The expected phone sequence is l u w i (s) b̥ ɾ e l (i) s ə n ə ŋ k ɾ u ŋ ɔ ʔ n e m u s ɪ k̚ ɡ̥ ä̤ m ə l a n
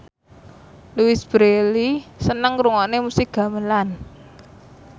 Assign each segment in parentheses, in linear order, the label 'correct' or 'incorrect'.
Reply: correct, correct

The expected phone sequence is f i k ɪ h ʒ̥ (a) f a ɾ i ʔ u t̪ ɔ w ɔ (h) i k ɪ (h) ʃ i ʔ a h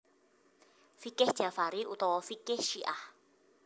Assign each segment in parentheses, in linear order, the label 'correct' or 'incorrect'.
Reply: correct, incorrect: f, correct

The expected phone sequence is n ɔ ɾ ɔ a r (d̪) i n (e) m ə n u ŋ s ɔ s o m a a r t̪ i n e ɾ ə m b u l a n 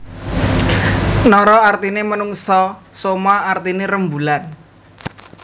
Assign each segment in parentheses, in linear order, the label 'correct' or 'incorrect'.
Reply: incorrect: t̪, correct

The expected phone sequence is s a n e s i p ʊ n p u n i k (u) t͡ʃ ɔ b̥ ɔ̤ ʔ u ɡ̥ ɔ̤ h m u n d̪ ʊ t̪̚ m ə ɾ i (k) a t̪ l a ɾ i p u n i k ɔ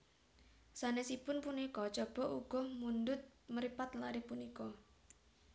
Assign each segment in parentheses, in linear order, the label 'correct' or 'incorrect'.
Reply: incorrect: ɔ, incorrect: p

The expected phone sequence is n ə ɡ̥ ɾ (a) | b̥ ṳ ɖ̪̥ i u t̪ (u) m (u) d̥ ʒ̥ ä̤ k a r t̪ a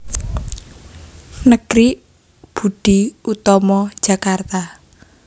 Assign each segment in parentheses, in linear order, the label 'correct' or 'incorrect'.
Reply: incorrect: i, incorrect: ɔ, incorrect: ɔ

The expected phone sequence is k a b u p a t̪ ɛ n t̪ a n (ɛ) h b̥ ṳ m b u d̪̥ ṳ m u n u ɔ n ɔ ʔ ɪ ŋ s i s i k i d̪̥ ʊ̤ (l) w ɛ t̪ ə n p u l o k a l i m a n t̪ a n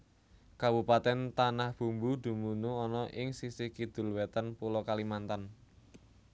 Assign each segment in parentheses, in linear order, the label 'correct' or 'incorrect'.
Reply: incorrect: a, correct

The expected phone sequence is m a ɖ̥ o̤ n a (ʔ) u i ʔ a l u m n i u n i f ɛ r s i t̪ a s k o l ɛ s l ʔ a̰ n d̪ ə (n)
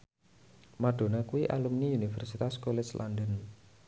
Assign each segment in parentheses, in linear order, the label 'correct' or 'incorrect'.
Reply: incorrect: k, correct

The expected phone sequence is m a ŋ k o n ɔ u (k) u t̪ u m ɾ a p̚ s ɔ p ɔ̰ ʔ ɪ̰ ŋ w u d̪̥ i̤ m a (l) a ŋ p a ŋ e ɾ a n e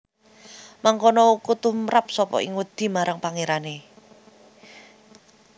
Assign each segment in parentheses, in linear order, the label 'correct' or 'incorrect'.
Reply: correct, incorrect: ɾ

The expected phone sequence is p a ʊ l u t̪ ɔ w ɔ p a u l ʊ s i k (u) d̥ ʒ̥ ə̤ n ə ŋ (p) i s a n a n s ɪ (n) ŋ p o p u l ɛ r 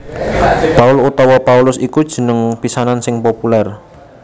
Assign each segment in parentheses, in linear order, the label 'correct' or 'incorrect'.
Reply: correct, correct, incorrect: none

